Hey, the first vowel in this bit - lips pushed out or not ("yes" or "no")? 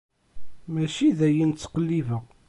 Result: no